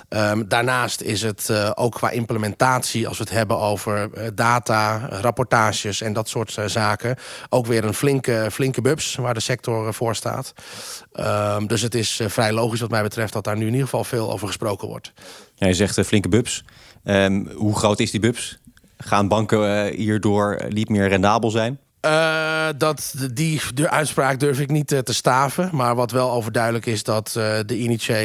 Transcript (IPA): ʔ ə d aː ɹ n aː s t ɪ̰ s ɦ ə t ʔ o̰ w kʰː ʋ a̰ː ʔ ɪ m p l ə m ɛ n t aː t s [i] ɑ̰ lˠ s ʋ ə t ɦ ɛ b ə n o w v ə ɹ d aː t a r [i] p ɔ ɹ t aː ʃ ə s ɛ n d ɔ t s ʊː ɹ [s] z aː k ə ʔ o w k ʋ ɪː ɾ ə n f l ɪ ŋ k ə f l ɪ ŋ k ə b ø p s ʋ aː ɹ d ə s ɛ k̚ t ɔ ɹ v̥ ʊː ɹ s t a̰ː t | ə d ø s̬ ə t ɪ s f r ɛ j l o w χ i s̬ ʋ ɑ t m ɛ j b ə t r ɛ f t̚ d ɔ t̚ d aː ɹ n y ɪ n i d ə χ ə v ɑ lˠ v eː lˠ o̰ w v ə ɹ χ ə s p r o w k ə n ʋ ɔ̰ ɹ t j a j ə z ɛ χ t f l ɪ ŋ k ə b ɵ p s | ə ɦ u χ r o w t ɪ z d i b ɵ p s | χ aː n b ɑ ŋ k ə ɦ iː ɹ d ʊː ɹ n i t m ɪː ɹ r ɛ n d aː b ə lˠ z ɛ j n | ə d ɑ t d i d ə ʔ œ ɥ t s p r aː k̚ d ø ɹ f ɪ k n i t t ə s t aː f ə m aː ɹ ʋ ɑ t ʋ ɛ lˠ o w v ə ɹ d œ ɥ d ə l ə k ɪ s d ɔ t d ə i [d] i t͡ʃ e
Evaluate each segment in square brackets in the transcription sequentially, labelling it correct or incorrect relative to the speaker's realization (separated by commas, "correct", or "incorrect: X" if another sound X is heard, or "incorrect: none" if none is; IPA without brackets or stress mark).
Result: correct, incorrect: a, incorrect: t, incorrect: n